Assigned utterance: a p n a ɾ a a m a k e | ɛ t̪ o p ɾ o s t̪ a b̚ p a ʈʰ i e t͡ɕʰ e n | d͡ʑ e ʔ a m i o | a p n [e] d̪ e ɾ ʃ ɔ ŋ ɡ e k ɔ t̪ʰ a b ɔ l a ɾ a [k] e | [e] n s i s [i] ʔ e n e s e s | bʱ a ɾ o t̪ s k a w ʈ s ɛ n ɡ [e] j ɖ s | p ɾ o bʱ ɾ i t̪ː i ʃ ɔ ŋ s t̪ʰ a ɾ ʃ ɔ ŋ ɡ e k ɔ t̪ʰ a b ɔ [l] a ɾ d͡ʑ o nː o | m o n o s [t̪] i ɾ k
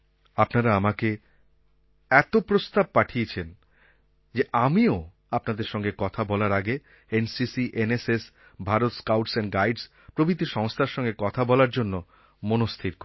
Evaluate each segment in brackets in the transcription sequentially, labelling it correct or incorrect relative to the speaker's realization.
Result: incorrect: a, incorrect: ɡ, correct, correct, incorrect: a, correct, incorrect: t̪ʰ

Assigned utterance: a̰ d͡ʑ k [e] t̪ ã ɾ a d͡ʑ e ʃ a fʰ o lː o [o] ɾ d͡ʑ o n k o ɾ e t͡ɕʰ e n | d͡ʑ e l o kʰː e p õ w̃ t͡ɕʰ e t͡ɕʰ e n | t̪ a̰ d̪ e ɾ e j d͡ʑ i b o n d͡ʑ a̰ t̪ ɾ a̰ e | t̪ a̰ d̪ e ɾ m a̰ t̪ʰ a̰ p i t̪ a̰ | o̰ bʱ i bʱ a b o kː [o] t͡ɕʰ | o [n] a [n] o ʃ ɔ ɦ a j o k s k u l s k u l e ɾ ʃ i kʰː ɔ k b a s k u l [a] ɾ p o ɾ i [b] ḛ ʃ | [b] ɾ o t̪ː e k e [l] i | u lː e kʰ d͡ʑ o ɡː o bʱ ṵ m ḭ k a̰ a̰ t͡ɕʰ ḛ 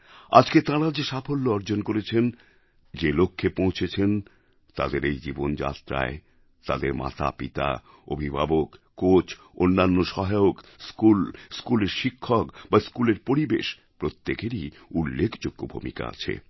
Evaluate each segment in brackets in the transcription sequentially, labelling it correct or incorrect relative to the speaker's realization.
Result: correct, incorrect: ɔ, correct, incorrect: nː, incorrect: nː, incorrect: e, correct, incorrect: p, incorrect: ɾ

